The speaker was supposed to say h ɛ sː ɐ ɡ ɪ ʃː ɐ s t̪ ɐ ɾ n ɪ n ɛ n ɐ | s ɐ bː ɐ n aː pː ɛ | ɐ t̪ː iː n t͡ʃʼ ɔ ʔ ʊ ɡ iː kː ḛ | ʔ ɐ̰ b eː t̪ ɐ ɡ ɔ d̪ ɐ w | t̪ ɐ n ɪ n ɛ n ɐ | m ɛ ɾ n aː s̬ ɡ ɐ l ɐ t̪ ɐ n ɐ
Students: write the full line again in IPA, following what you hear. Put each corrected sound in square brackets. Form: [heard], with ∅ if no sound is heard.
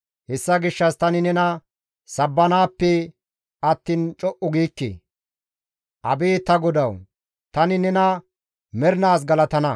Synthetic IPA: h ɛ sː ɐ ɡ ɪ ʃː ɐ s t̪ ɐ [∅] n ɪ n ɛ n ɐ | s ɐ bː ɐ n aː pː ɛ | ɐ t̪ː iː n t͡ʃʼ ɔ ʔ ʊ ɡ iː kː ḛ | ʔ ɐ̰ b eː t̪ ɐ ɡ ɔ d̪ ɐ w | t̪ ɐ n ɪ n ɛ n ɐ | m ɛ ɾ n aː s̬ ɡ ɐ l ɐ t̪ ɐ n ɐ